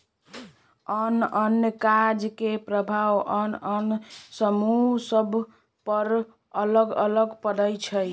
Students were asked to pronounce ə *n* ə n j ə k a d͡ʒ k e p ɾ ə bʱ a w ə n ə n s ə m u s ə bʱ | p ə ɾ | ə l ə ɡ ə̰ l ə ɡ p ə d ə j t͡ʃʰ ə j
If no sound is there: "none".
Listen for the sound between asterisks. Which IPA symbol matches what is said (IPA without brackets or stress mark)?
n